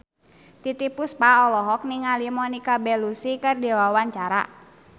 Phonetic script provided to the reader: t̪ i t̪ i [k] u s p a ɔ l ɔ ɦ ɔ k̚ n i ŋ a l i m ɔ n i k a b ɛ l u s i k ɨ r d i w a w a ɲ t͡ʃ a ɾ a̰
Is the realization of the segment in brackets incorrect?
yes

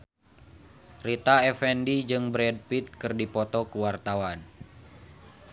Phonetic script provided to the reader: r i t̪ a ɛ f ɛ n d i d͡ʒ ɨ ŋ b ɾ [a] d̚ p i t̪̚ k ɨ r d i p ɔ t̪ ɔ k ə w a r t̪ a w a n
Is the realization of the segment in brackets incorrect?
yes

